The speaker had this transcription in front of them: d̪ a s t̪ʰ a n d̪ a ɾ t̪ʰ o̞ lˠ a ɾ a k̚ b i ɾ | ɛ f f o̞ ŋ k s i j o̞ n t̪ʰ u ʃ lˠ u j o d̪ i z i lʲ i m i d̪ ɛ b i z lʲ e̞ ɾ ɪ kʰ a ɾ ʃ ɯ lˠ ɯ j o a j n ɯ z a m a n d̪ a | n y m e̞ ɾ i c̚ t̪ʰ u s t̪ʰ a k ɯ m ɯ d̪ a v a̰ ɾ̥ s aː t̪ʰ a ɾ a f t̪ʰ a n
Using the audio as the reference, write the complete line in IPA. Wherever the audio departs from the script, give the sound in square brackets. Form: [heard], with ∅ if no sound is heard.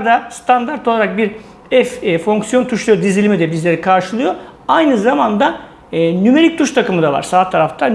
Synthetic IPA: d̪ a s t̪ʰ a n d̪ a ɾ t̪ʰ o̞ lˠ a ɾ a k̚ b i ɾ | ɛ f f o̞ ŋ k s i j o̞ n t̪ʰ u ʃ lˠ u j o d̪ i z i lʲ i m i d̪ ɛ b i z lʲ e̞ ɾ [i] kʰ a ɾ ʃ ɯ lˠ ɯ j o a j n ɯ z a m a n d̪ a | n y m e̞ ɾ i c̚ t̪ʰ u [ʃ] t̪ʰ a k ɯ m ɯ d̪ a v a̰ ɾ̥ s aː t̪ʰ a ɾ a f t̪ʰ a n

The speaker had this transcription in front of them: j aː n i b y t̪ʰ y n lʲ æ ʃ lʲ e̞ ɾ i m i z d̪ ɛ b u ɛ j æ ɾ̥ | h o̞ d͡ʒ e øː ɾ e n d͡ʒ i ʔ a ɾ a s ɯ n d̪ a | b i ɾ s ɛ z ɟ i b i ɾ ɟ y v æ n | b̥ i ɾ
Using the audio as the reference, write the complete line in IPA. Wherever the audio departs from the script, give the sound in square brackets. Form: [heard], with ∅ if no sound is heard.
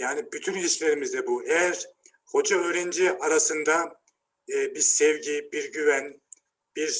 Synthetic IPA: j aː n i b y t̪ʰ y n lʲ [i] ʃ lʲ e̞ ɾ i m i z d̪ ɛ b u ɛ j æ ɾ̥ | h o̞ d͡ʒ [a] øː ɾ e n d͡ʒ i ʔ a ɾ a s ɯ n d̪ a | b i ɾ s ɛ [v] ɟ i b i ɾ ɟ y v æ n | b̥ i ɾ

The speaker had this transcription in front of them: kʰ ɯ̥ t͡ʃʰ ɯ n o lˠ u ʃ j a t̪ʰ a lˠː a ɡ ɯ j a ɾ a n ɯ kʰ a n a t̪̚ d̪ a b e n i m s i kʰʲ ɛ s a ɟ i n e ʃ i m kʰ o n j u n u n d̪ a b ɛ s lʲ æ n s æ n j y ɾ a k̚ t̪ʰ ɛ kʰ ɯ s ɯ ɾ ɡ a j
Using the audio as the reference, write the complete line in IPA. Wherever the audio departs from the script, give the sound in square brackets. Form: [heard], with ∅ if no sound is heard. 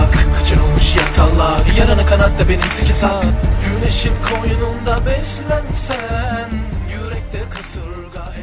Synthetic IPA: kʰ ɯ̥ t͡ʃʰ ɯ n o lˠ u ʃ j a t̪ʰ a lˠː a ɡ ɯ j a ɾ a n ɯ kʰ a n a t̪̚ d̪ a b e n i m s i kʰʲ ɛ s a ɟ [y] n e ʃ i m kʰ o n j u n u n d̪ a b ɛ s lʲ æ n s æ n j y ɾ [ɛ] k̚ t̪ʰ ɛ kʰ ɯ s ɯ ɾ ɡ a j

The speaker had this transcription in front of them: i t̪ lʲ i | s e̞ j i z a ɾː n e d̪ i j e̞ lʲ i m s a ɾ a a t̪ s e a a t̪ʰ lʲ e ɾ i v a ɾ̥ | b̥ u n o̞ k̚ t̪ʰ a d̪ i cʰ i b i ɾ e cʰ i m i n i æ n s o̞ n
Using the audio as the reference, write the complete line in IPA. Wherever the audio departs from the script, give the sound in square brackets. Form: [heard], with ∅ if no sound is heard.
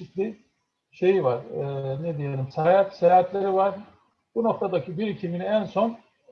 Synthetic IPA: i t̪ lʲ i | [ʃ] e̞ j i [v] a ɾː n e d̪ i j e̞ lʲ i m s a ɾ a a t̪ s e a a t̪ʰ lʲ e ɾ i v a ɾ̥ | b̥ u n o̞ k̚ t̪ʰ a d̪ [a] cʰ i b i ɾ [i] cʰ i m i n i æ n s o̞ n

